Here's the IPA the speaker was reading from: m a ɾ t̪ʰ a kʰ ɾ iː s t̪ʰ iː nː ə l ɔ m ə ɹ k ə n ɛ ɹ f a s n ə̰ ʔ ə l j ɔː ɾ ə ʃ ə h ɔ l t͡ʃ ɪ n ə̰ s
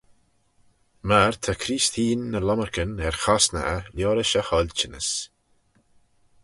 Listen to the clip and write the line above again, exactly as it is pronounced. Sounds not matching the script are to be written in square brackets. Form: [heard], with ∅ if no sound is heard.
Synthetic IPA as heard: m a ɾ t̪ʰ a kʰ ɾ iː s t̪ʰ iː nː ə l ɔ m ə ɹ k ə n ɛ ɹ [x] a s n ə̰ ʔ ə l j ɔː ɾ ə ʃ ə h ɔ l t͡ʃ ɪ n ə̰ s